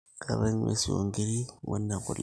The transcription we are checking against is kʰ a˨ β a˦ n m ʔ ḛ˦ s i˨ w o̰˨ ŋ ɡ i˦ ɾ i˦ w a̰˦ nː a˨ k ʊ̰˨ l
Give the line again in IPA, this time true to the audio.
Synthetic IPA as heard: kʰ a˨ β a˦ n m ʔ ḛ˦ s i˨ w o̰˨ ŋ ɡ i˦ ɾ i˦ w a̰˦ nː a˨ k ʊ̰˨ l